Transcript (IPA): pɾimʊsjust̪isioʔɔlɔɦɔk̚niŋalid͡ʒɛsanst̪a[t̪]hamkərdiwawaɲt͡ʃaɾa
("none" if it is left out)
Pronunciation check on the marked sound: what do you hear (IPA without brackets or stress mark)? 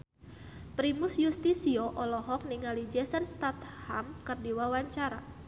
t̪